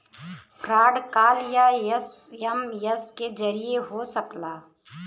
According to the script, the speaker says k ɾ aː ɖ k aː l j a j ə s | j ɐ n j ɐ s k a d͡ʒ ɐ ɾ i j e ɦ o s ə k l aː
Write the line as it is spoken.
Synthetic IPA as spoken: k ɾ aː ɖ k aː l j a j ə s | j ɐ m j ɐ s k e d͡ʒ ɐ ɾ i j e ɦ o s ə k l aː